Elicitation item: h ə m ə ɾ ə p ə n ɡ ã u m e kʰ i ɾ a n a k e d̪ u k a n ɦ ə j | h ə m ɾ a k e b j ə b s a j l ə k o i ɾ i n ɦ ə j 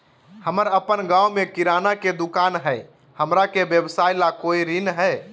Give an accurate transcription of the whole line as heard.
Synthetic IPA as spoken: h ə m ə ɾ ə p ə n ɡ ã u m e k i ɾ a n a k e d̪ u k a n ɦ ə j | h ə m ɾ a k e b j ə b s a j l a k o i ɾ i n ɦ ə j